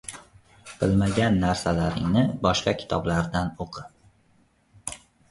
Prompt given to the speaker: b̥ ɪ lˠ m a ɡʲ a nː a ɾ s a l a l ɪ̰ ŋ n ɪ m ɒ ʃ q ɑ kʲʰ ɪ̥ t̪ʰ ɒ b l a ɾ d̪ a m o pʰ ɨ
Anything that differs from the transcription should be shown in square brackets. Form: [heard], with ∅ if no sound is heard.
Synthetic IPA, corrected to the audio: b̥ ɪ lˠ m a ɡʲ a nː a ɾ s a l a [ɾ] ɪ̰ ŋ n ɪ [b] ɒ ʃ q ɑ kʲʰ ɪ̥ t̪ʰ ɒ b l a ɾ d̪ a [n] o [qʰ] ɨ